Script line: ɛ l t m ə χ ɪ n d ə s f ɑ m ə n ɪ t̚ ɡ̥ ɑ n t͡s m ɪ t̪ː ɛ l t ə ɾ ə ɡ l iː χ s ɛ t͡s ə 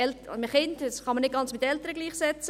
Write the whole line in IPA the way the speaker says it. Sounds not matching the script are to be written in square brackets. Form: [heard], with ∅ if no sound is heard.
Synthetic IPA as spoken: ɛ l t m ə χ ɪ n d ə s [χ] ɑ m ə n ɪ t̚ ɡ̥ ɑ n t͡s m ɪ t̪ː ɛ l t ə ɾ ə ɡ l iː χ s ɛ t͡s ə